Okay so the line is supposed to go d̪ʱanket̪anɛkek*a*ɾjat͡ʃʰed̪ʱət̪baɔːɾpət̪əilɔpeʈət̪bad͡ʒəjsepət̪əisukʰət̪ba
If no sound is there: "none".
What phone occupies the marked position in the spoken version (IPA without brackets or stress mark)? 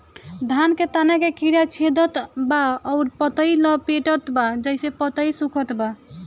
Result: i